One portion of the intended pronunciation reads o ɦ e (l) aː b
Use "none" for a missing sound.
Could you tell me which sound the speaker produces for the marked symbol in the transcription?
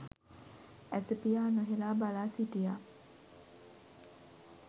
l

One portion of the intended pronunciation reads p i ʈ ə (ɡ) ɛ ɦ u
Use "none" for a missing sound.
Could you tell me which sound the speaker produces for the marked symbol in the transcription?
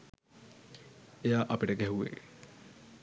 ɡ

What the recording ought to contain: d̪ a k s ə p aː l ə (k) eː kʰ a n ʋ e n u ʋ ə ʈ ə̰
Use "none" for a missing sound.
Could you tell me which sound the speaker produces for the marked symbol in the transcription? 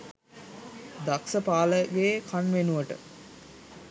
ɡ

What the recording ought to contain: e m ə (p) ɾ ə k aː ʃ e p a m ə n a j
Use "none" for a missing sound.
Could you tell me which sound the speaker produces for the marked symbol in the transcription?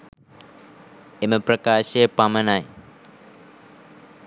p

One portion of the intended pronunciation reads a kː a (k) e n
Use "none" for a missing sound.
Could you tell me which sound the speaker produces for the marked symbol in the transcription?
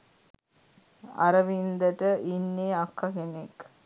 k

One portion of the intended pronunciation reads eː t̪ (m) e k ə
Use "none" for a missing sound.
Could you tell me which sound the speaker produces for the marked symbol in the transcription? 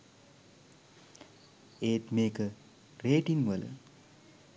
m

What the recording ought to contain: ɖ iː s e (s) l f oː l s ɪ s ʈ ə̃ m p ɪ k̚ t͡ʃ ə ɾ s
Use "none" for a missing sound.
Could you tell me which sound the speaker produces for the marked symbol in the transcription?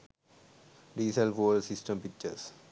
none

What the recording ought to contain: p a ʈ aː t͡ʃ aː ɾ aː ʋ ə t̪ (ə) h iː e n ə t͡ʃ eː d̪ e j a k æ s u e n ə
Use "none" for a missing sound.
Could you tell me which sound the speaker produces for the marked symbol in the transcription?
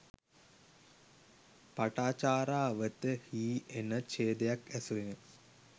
ə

